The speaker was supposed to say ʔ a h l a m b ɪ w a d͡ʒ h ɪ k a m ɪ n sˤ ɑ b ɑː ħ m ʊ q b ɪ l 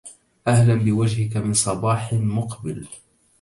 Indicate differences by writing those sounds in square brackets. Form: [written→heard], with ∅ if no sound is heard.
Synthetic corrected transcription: ʔ a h l a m b ɪ w a d͡ʒ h ɪ k a m ɪ n sˤ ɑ b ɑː ħ m ʊ q b ɪ l

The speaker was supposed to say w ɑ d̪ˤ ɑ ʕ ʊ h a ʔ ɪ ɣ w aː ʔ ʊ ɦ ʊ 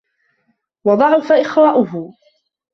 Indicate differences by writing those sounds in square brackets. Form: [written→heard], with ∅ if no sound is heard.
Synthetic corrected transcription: w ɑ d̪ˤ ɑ ʕ ʊ [h→f] a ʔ ɪ [ɣ→x] w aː ʔ ʊ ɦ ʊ

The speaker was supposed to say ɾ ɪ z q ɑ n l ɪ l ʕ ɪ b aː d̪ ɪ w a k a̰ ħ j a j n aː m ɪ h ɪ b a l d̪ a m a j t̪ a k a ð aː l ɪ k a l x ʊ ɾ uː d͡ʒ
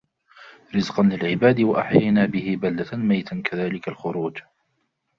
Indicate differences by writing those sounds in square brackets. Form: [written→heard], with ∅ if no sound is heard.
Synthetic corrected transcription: ɾ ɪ z q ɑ n l ɪ l ʕ ɪ b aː d̪ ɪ w a [k→ʔ] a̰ ħ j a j n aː [m→b] ɪ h ɪ b a l d̪ a m a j t̪ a k a ð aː l ɪ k a l x ʊ ɾ uː d͡ʒ

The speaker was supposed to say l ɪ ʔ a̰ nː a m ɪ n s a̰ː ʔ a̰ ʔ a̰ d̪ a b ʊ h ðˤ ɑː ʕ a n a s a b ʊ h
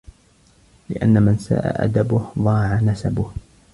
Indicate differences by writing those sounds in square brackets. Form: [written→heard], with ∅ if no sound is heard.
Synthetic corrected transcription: l ɪ ʔ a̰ nː a m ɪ n s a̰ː ʔ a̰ ʔ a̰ d̪ a b ʊ h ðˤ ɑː ʕ a n a s a b ʊ h

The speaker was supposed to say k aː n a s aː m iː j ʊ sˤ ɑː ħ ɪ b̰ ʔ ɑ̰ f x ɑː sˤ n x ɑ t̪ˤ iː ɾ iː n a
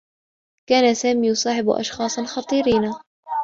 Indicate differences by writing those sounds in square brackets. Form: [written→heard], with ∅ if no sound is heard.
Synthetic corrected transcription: k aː n a s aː m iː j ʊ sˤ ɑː ħ ɪ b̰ ʔ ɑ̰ [f→ʃ] x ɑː sˤ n x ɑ t̪ˤ iː ɾ iː n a

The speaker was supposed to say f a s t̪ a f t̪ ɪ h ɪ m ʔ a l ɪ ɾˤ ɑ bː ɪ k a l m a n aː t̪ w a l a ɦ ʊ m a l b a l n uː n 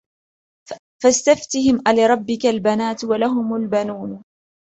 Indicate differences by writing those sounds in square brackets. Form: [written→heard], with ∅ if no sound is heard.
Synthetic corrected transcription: f a s t̪ a f t̪ ɪ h ɪ m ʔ a l ɪ ɾˤ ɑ bː ɪ k a l [m→b] a n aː t̪ w a l a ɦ ʊ m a l b a [l→∅] n uː n

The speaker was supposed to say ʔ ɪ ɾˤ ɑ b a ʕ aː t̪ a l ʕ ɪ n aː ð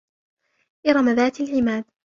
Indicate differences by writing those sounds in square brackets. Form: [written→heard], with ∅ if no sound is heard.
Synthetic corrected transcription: ʔ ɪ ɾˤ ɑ [b→m] a [ʕ→ð] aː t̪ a l ʕ ɪ [n→m] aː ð

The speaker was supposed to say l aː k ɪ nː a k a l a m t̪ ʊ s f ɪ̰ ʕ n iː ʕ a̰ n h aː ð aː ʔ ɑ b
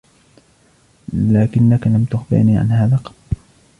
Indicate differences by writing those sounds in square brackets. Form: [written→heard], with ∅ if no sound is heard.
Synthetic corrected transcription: l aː k ɪ nː a k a l a m t̪ ʊ [s→x] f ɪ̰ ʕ n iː ʕ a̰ n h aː ð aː [ʔ→q] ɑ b

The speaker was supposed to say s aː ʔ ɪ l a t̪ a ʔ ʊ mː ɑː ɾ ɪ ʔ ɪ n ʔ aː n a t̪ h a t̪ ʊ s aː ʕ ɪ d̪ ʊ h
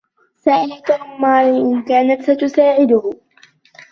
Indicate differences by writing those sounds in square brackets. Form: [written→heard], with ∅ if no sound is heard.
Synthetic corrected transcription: s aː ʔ ɪ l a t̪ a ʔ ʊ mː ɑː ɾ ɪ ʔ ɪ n [ʔ→k] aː n a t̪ [h→s] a t̪ ʊ s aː ʕ ɪ d̪ ʊ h

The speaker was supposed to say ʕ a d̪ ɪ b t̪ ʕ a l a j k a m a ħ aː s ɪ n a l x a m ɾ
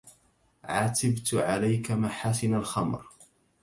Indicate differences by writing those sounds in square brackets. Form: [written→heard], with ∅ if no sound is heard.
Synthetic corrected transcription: ʕ a [d̪→t̪] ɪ b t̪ ʕ a l a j k a m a ħ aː s ɪ n a l x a m ɾ

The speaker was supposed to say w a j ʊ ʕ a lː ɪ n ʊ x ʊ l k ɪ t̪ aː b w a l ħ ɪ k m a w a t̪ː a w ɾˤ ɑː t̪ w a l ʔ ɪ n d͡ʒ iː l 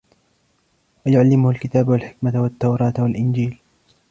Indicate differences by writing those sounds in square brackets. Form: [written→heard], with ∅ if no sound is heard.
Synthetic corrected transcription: w a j ʊ ʕ a lː ɪ [n→m] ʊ [x→h] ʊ l k ɪ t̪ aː b w a l ħ ɪ k m a w a t̪ː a w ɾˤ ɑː t̪ w a l ʔ ɪ n d͡ʒ iː l

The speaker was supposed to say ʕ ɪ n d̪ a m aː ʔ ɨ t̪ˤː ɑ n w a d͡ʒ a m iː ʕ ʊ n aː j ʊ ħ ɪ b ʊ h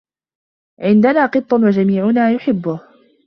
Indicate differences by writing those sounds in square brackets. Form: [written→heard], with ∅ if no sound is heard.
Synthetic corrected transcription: ʕ ɪ n d̪ a [m→n] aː [ʔ→q] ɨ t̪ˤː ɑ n w a d͡ʒ a m iː ʕ ʊ n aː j ʊ ħ ɪ [b→bː] ʊ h

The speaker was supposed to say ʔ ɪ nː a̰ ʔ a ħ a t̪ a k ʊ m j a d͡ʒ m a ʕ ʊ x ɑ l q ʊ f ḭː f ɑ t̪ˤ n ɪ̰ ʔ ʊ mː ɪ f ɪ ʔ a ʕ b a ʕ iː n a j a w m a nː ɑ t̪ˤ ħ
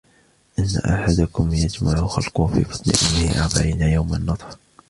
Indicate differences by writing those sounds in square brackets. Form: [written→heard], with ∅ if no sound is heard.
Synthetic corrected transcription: ʔ ɪ nː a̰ ʔ a ħ a [t̪→d̪] a k ʊ m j a d͡ʒ m a ʕ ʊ x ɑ l q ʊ f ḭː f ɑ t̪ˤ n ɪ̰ ʔ ʊ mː ɪ [f→h] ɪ ʔ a ʕ b a ʕ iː n a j a w m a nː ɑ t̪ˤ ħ

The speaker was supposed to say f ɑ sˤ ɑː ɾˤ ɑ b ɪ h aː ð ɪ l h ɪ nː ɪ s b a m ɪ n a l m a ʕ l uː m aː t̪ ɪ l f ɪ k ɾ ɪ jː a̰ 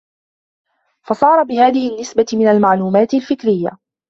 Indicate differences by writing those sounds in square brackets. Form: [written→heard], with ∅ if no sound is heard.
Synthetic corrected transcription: f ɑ sˤ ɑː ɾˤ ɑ b ɪ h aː ð ɪ [l→∅] h ɪ nː ɪ s b a m ɪ n a l m a ʕ l uː m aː t̪ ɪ l f ɪ k ɾ ɪ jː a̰

